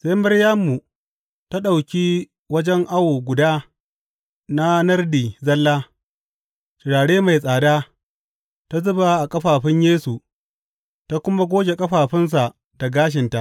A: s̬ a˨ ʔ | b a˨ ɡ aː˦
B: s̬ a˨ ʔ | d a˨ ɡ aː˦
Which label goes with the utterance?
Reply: B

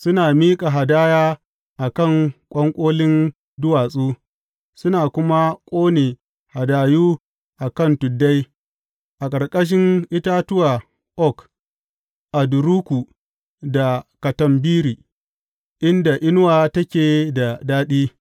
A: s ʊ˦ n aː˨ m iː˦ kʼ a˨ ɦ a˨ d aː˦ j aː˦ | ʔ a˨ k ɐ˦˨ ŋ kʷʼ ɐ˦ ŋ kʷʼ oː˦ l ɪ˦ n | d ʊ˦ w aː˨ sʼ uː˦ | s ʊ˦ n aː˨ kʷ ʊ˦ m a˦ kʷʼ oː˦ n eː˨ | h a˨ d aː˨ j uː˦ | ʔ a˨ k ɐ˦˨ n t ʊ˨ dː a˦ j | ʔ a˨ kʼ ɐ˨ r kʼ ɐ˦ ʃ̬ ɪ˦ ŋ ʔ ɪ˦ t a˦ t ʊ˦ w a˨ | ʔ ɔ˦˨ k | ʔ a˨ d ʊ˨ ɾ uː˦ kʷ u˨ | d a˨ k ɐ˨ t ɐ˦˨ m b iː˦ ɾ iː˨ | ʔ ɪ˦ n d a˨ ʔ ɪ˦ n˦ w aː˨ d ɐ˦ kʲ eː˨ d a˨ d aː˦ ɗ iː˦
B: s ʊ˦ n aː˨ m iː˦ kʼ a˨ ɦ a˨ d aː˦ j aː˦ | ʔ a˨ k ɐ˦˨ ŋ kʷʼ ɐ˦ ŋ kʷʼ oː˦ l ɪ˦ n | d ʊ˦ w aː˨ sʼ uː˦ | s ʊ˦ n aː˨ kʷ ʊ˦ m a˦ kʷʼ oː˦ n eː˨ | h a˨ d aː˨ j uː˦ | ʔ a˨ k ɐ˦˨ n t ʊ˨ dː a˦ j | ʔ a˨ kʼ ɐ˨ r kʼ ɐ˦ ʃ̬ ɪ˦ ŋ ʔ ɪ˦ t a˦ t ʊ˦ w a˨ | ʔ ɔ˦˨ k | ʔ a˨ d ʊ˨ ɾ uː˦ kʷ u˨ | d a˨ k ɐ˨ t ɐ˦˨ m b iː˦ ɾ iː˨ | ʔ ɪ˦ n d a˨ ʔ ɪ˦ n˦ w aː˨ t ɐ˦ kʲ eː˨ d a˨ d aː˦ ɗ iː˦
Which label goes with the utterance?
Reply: B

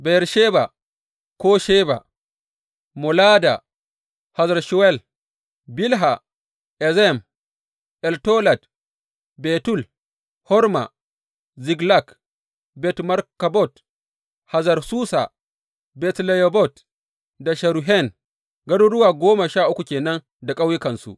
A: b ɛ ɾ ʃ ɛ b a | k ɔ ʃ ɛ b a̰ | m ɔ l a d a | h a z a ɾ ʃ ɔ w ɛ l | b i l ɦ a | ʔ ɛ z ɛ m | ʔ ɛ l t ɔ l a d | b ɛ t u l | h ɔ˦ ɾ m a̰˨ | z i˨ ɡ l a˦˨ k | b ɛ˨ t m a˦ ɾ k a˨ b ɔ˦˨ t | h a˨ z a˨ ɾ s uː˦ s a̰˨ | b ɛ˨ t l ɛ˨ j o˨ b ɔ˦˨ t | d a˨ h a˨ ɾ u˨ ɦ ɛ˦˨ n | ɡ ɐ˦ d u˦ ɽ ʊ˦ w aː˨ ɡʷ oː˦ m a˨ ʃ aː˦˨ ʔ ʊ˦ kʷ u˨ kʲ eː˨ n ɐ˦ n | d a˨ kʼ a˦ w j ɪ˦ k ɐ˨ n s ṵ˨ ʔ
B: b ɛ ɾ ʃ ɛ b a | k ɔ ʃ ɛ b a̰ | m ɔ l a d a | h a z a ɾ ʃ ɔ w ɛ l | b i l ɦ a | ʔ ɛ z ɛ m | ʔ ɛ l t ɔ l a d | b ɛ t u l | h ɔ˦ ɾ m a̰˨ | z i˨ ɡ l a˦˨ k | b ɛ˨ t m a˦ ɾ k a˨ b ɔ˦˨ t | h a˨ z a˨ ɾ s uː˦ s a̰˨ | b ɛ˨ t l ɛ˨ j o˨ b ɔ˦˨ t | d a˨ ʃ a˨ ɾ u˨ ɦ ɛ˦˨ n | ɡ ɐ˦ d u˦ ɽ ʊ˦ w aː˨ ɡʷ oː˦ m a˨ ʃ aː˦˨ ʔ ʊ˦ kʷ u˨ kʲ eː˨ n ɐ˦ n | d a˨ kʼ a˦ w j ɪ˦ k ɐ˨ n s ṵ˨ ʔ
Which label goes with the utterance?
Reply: B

